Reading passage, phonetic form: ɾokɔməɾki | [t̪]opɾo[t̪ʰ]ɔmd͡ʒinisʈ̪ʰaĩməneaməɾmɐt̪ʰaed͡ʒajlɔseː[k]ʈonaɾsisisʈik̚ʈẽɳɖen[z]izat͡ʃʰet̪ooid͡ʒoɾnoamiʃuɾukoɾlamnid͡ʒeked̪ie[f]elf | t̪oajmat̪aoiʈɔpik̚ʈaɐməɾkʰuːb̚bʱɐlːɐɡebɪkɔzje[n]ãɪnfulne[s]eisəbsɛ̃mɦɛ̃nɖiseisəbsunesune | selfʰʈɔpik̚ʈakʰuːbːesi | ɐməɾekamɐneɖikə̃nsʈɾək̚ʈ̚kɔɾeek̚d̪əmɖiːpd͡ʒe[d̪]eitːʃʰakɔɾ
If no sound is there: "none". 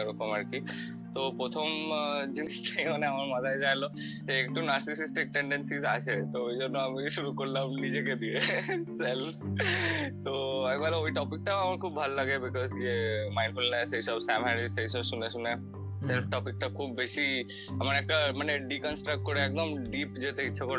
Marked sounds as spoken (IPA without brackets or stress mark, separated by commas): t̪, t̪ʰ, k, s, s, m, s, t̪